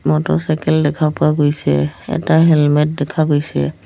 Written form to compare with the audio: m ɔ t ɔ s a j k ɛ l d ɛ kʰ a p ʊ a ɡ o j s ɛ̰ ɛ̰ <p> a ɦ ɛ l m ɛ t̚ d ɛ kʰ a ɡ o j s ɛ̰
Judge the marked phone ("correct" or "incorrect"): incorrect